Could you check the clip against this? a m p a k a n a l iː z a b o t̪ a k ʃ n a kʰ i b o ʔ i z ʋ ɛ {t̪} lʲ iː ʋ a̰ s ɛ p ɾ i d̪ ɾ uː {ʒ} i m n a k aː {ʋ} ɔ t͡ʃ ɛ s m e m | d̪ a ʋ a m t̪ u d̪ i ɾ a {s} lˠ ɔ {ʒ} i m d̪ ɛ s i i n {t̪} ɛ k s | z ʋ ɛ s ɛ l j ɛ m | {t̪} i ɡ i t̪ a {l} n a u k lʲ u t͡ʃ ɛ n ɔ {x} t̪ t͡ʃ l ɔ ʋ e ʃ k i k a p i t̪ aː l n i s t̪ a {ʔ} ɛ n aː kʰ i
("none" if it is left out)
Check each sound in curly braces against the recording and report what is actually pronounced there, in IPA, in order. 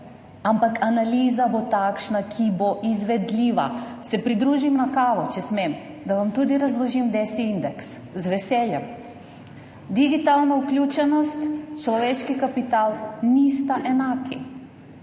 d̪, ʒ, ʋ, z, ʒ, d̪, d̪, l, s, ʔ

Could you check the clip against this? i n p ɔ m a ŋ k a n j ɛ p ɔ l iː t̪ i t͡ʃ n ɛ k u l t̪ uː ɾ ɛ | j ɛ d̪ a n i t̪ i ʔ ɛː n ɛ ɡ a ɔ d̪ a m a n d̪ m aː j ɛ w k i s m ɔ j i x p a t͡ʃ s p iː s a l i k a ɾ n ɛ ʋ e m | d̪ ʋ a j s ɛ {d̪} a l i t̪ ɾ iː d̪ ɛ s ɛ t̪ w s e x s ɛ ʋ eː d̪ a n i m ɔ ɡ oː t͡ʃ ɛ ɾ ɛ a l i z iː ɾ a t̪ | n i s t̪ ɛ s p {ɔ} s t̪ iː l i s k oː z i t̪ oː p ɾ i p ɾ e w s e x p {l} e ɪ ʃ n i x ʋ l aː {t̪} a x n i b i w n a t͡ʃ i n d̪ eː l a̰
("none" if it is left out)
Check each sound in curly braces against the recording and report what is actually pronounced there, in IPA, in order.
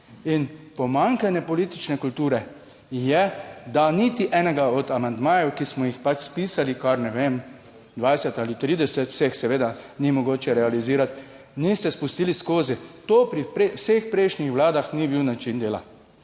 t̪, u, ɾ, d̪

